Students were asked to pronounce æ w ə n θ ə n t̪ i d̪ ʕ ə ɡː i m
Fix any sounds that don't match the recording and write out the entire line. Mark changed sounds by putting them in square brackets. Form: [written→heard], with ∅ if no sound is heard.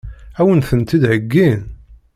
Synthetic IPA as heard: æ w ə n θ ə n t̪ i d̪ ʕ ə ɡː i [m→n]